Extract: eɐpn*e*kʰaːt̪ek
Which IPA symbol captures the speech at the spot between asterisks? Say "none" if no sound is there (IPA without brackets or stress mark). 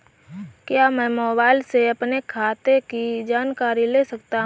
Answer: e